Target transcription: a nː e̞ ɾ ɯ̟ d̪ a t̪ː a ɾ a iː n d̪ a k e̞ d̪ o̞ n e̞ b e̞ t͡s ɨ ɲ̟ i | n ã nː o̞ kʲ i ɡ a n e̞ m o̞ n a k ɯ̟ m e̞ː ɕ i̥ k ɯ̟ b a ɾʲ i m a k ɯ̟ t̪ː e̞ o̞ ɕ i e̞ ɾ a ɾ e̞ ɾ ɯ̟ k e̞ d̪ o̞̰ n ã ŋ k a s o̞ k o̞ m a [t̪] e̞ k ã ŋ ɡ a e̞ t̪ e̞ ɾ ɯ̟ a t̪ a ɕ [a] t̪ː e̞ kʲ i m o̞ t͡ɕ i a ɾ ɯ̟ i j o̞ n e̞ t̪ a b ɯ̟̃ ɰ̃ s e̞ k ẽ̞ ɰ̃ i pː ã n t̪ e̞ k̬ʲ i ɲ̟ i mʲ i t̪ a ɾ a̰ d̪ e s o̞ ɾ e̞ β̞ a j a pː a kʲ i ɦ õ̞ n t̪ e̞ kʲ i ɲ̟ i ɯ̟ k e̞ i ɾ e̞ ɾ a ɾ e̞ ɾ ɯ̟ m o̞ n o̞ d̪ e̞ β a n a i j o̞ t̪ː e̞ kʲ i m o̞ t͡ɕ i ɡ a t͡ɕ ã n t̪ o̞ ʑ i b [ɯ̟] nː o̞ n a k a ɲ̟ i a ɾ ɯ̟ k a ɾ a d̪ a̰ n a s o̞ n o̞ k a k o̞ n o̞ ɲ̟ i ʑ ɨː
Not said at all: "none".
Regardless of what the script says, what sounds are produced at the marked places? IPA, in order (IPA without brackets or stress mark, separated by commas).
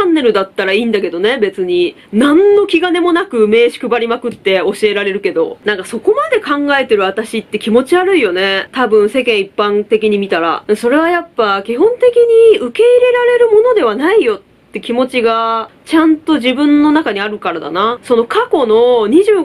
d̪, i, ɯ̟̃